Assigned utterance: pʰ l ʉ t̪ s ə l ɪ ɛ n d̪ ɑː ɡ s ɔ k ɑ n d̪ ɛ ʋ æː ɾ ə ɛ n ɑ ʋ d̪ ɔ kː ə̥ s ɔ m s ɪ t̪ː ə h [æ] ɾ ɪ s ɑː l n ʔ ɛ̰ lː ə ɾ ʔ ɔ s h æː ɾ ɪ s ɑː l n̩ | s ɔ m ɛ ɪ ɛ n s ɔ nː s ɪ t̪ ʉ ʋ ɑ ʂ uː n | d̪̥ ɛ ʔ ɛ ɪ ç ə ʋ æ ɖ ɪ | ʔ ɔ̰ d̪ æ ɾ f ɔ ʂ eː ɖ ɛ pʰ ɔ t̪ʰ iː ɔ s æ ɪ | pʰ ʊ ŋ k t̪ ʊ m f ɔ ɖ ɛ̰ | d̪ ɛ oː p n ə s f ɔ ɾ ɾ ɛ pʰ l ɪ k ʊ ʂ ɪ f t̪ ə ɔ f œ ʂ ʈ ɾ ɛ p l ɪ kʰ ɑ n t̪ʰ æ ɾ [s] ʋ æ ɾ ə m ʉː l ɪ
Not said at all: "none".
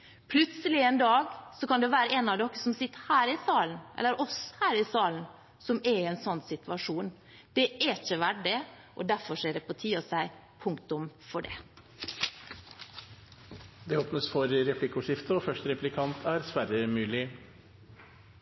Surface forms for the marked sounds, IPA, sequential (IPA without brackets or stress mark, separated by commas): æː, s